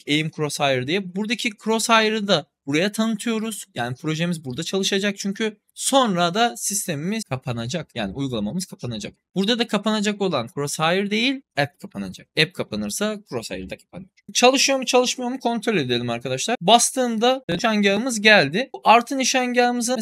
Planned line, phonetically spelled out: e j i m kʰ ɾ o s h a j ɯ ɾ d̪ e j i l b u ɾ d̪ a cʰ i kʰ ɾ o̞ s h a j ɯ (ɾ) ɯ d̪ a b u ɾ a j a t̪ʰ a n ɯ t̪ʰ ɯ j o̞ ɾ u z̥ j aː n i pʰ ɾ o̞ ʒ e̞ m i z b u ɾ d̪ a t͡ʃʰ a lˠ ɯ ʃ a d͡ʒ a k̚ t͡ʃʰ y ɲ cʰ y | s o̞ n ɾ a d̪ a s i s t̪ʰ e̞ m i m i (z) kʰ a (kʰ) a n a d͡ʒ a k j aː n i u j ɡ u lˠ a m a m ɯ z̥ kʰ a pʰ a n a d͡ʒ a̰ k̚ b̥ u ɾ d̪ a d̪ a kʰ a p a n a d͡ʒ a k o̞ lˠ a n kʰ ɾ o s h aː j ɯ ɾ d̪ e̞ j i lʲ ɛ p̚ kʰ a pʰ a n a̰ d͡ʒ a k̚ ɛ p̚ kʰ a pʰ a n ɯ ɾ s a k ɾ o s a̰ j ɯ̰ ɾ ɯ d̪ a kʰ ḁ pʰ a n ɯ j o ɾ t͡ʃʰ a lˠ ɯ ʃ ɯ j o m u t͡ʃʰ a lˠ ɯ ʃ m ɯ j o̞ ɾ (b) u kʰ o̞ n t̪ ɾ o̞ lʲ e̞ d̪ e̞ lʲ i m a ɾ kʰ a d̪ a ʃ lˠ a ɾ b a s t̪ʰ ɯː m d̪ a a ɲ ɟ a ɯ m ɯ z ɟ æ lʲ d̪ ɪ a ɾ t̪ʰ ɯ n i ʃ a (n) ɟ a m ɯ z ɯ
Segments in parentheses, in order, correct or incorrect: correct, correct, incorrect: pʰ, incorrect: m, incorrect: ɲ

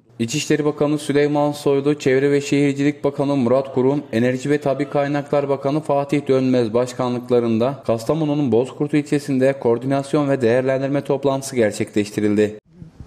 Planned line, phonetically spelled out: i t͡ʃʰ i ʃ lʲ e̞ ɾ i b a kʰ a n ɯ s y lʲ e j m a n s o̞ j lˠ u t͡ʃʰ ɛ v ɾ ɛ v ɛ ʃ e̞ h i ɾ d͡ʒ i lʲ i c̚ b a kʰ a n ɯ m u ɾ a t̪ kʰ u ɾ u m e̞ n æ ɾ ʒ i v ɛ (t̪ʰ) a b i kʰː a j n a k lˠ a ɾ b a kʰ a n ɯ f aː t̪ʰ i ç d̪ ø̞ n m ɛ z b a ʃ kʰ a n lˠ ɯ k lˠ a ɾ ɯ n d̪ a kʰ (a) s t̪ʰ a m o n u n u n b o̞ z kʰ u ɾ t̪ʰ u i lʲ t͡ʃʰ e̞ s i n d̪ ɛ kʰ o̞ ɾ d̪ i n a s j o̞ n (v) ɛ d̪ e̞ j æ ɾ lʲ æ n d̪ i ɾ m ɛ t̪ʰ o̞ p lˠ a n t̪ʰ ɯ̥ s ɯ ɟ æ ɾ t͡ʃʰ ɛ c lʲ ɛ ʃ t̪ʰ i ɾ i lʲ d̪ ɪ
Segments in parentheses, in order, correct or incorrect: correct, correct, correct

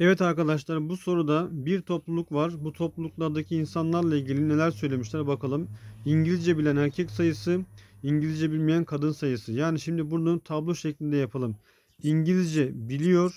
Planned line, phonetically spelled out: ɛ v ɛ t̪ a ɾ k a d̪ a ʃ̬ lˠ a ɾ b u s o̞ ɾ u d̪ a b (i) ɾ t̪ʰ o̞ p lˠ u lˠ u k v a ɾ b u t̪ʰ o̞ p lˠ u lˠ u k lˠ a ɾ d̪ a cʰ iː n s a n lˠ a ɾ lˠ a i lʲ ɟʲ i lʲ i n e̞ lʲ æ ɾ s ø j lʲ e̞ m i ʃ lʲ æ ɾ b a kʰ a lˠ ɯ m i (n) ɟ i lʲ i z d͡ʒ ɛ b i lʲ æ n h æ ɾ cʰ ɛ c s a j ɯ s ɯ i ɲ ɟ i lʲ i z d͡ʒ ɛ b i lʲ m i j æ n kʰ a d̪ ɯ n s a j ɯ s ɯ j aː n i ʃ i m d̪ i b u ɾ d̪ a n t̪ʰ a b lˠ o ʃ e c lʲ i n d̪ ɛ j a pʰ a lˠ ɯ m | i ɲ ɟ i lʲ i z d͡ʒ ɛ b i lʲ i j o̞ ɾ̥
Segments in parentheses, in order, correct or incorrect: correct, incorrect: ɲ

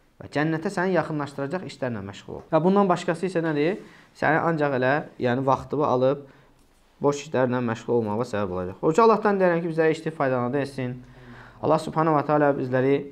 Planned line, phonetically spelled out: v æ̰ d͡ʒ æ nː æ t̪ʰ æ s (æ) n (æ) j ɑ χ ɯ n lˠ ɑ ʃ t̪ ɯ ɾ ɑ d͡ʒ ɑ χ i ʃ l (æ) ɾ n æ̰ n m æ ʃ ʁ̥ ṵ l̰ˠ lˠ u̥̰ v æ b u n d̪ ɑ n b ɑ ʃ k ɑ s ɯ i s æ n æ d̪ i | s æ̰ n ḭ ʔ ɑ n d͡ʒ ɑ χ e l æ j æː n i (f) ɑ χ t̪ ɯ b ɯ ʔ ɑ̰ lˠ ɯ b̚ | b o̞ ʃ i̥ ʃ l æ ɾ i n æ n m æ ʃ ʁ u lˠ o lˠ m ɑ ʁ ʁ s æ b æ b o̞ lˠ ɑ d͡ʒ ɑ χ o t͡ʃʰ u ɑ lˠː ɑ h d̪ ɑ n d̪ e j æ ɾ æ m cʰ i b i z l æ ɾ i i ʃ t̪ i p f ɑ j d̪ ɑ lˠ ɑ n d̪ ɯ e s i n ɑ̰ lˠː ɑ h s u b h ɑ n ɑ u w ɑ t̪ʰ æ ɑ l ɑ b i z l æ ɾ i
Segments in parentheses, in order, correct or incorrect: correct, incorrect: i, correct, incorrect: v

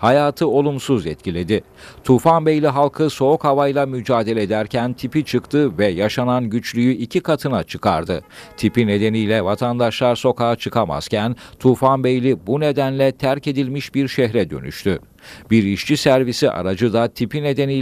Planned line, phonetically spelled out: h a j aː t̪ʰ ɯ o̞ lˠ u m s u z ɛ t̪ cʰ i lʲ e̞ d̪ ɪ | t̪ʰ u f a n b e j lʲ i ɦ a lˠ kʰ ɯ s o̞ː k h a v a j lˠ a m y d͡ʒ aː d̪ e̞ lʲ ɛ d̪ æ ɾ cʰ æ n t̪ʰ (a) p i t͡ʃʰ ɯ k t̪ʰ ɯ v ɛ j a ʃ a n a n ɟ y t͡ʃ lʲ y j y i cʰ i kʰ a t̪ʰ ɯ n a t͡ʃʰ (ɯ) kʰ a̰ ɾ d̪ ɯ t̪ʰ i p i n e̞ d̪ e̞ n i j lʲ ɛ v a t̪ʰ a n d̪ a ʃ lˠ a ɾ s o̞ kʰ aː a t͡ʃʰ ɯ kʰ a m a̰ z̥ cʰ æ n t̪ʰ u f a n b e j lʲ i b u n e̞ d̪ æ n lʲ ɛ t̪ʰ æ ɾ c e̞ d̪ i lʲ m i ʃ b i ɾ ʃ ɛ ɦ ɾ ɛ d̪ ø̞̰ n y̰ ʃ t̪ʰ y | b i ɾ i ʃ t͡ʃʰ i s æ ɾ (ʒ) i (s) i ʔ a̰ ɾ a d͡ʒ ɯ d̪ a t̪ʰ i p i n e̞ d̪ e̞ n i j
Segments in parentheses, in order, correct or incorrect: incorrect: i, correct, incorrect: v, correct

